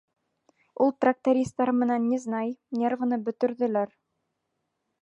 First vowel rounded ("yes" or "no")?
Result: yes